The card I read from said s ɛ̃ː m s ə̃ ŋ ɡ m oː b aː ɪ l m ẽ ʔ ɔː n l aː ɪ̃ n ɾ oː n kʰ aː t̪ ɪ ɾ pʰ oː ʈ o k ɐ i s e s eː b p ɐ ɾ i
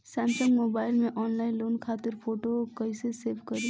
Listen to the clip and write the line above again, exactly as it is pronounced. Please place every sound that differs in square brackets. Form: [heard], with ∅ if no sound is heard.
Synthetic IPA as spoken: s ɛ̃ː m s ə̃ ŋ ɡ m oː b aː ɪ l m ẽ ʔ ɔː n l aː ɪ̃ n [l] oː n kʰ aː t̪ ɪ ɾ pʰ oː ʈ o k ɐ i s e s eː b [k] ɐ ɾ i